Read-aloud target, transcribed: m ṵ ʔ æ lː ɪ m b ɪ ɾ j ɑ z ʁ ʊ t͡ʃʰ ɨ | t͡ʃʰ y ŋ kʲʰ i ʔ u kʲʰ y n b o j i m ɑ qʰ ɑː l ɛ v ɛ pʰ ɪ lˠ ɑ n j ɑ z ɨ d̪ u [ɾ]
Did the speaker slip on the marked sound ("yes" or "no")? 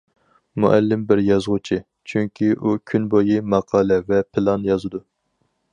yes